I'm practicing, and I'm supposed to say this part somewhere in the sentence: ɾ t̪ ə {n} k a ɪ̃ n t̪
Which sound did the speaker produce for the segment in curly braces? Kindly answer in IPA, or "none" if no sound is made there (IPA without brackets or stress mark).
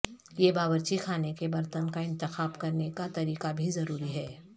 n